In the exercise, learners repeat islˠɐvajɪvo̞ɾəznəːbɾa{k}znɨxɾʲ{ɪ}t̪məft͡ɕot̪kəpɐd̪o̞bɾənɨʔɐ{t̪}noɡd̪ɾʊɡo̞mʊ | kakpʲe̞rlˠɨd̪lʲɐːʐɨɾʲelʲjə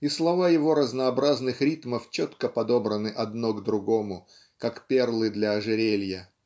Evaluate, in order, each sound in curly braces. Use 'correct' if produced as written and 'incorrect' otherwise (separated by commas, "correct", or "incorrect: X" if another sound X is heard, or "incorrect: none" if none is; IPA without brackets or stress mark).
incorrect: none, incorrect: i, incorrect: d̪